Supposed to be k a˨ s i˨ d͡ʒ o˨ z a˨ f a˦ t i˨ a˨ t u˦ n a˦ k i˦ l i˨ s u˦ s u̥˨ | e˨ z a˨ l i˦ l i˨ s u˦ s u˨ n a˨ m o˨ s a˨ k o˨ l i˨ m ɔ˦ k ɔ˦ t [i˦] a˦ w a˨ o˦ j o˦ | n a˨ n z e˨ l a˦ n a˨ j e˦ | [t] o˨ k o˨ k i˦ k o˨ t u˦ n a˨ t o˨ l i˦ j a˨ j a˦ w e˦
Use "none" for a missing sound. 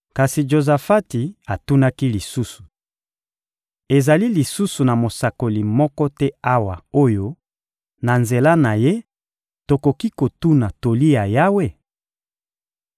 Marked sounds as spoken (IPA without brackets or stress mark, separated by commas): ɛ˦, t